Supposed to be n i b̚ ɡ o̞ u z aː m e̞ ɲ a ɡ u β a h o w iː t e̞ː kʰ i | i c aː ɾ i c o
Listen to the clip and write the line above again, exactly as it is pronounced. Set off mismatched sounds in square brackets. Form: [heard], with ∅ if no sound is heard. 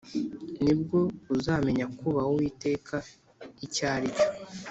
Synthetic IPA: n i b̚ ɡ o̞ u z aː m e̞ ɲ a [k] u β a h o w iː t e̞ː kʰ [a] | i c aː ɾ i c o